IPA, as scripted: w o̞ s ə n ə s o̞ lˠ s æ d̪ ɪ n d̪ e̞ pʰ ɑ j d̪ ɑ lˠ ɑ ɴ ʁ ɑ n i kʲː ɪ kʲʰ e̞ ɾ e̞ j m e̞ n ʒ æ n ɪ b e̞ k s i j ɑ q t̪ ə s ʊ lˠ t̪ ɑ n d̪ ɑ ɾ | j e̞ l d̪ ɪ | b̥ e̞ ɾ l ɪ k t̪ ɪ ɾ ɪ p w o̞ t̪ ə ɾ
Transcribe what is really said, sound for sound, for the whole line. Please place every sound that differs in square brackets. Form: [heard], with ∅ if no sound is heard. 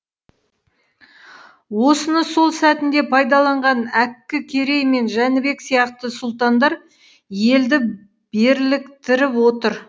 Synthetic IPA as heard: w o̞ s ə n ə s o̞ lˠ s æ [t̪] ɪ n d̪ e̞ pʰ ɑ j d̪ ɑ lˠ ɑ ɴ ʁ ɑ n [æ] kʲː ɪ kʲʰ e̞ ɾ e̞ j m e̞ n ʒ æ n ɪ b e̞ k s i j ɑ q t̪ ə s ʊ lˠ t̪ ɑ n d̪ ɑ ɾ | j e̞ l d̪ ɪ | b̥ e̞ ɾ l ɪ k t̪ ɪ ɾ ɪ p w o̞ t̪ ə ɾ